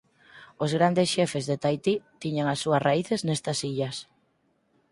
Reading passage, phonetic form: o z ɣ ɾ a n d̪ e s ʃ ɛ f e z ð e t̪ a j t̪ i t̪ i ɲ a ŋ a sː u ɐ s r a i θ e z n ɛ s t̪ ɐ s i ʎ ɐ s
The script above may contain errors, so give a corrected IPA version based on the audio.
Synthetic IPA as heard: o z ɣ ɾ a n d̪ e s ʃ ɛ f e z ð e t̪ a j t̪ i t̪ i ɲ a ŋ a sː u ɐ s r a i θ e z n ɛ s t̪ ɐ s i ʎ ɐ s